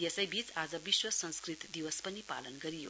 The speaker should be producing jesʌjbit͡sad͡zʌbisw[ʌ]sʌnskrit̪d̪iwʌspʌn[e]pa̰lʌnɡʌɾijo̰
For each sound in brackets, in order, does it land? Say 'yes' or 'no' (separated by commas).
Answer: yes, no